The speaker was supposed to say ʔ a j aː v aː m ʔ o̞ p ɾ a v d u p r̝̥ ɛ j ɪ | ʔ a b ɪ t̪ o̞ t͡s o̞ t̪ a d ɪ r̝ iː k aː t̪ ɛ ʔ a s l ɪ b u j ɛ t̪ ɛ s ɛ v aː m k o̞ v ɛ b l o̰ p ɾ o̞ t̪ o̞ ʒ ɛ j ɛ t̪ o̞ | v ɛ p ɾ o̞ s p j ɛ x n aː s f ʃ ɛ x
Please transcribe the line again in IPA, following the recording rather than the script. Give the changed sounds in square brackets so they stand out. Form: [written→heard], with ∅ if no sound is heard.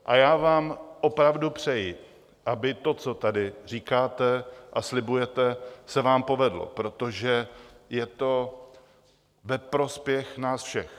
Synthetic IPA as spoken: ʔ a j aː v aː m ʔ o̞ p ɾ a v d u p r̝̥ ɛ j ɪ | ʔ a b ɪ t̪ o̞ t͡s o̞ t̪ a d ɪ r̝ iː k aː t̪ ɛ ʔ a s l ɪ b u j ɛ t̪ ɛ s ɛ v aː m [k→p] o̞ v ɛ [b→d] l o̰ p ɾ o̞ t̪ o̞ ʒ ɛ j ɛ t̪ o̞ | v ɛ p ɾ o̞ s p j ɛ x n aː s f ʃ ɛ x